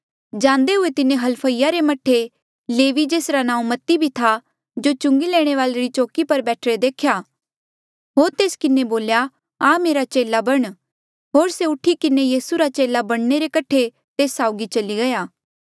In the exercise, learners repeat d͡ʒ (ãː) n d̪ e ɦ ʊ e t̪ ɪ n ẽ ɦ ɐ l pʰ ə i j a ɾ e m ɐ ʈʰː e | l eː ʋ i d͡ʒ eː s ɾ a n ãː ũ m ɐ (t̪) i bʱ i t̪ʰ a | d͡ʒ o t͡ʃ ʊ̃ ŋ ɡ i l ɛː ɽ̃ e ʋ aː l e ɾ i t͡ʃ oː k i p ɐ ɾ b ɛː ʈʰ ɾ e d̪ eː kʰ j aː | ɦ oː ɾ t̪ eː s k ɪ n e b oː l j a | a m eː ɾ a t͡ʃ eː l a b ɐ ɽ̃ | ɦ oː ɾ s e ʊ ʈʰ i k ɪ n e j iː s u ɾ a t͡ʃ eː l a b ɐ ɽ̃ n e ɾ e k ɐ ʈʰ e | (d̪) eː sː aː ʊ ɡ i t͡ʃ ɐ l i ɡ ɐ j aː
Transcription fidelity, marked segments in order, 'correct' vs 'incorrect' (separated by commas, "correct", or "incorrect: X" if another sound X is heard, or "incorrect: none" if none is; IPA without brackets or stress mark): correct, correct, incorrect: t̪